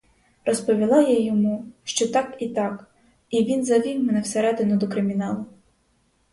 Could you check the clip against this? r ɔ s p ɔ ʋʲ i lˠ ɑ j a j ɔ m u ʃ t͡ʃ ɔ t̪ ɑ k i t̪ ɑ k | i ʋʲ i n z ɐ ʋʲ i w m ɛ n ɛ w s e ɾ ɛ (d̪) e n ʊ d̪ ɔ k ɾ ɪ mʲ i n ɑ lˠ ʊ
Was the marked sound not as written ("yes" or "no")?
no